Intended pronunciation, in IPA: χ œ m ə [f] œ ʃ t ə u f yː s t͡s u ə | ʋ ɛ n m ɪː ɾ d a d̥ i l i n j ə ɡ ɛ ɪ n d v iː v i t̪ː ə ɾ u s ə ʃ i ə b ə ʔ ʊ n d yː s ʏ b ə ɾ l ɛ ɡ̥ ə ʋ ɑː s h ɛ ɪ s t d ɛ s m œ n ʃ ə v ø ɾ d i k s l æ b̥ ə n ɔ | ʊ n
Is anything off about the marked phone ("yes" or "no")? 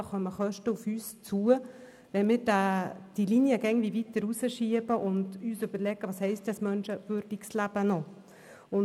yes